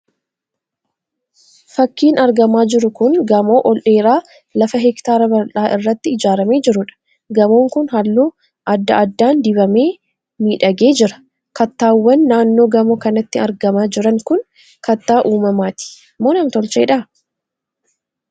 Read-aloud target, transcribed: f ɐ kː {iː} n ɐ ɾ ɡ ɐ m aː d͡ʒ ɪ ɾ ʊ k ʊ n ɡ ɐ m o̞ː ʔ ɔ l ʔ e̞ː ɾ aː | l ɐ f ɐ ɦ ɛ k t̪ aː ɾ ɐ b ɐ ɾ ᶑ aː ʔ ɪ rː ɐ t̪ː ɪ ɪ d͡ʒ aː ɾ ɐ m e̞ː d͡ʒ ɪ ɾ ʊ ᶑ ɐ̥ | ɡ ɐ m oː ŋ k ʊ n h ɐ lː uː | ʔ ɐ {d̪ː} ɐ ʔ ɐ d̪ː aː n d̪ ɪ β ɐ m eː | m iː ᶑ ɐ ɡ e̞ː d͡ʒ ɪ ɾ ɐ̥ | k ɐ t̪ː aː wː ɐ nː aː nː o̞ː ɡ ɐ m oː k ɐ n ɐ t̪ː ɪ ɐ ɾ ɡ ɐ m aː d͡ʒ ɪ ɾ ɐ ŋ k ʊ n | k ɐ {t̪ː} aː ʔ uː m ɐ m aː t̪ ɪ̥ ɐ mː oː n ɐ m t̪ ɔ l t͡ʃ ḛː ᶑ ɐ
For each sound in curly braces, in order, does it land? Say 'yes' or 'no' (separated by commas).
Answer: yes, yes, yes